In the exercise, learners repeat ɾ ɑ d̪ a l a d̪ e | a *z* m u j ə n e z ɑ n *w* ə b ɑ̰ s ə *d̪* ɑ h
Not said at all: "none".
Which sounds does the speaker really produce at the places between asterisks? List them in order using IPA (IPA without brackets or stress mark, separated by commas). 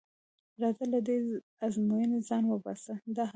z, w, d̪